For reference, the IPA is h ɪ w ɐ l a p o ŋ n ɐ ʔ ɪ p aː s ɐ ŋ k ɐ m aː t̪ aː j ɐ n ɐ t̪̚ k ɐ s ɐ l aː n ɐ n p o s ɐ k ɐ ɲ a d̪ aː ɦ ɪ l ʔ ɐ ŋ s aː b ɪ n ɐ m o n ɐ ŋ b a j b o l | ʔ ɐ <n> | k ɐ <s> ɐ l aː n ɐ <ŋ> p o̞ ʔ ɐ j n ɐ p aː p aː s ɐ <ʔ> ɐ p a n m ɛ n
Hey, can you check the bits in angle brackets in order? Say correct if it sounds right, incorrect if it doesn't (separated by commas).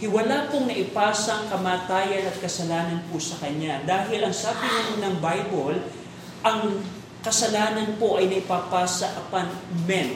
incorrect, correct, incorrect, correct